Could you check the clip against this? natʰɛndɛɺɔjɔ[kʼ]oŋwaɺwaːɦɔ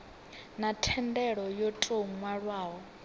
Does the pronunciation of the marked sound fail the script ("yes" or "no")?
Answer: yes